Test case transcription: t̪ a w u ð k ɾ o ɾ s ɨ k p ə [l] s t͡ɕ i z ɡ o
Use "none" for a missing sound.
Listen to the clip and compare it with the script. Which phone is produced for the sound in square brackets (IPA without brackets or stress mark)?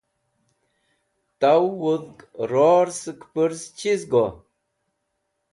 ɾ